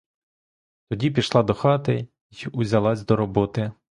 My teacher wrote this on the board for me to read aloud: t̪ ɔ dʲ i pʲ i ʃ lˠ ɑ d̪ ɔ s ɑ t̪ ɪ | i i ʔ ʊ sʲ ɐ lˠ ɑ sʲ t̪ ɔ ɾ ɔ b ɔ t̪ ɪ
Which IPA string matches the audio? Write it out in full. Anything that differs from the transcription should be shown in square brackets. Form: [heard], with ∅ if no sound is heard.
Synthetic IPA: t̪ ɔ dʲ i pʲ i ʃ lˠ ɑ d̪ ɔ [x] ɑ t̪ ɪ | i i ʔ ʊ [zʲ] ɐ lˠ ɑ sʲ [d̪] ɔ ɾ ɔ b ɔ t̪ ɪ